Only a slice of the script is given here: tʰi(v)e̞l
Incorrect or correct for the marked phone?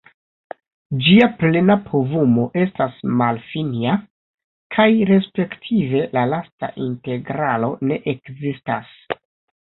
correct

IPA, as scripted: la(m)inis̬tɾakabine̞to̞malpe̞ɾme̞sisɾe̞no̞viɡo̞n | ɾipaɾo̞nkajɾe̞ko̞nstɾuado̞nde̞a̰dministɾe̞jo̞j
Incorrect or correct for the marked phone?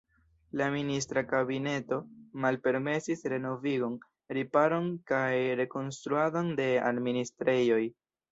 correct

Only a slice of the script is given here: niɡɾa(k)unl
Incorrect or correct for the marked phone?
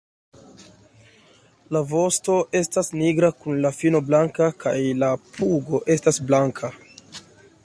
correct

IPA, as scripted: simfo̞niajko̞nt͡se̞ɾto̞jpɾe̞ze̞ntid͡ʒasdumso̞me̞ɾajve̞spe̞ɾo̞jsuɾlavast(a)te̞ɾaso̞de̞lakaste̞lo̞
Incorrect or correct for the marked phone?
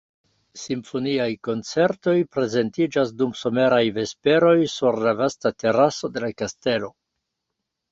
correct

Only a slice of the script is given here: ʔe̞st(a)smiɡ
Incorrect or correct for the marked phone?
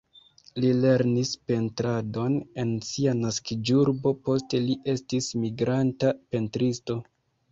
incorrect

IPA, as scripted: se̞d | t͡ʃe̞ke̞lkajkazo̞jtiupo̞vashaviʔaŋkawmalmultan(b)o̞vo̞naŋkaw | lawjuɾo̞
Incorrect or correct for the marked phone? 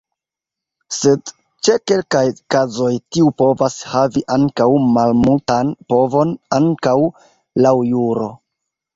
incorrect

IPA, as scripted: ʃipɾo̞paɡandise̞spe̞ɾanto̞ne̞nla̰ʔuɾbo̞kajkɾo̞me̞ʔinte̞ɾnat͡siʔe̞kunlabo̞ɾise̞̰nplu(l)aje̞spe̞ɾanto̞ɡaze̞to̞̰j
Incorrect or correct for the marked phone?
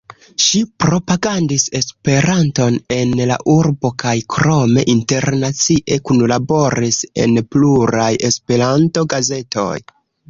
incorrect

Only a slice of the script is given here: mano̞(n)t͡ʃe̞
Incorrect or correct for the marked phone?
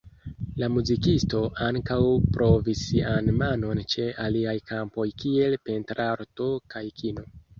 correct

